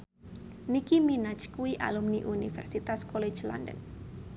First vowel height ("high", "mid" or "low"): high